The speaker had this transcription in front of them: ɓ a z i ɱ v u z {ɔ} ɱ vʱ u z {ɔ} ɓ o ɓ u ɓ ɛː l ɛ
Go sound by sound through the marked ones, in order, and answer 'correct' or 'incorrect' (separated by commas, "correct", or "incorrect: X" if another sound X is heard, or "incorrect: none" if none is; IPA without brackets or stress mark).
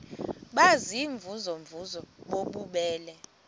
correct, correct